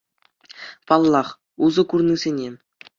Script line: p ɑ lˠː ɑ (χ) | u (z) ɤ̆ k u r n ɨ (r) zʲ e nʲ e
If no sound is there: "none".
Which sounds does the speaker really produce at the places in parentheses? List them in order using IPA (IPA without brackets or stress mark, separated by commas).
χ, z, none